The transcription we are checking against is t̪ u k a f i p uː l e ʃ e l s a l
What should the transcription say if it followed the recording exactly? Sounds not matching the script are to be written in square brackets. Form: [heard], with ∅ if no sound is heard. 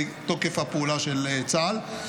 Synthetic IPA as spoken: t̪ [o] k [e] f [a] p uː l [a] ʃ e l [t͡s] a l